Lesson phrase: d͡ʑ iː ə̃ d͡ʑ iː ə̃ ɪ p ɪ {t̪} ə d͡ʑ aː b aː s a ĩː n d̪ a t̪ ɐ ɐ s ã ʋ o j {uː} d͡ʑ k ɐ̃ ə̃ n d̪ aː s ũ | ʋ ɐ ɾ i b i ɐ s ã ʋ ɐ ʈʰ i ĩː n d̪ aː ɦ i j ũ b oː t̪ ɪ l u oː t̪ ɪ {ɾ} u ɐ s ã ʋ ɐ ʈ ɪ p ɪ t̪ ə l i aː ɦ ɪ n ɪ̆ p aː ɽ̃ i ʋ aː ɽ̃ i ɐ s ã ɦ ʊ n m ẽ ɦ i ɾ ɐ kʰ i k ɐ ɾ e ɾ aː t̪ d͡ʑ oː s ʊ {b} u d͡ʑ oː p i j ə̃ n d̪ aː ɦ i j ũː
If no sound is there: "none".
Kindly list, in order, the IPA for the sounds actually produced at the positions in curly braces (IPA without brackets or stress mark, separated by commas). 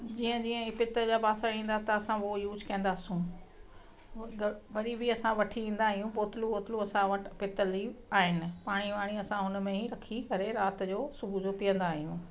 t̪, uː, l, b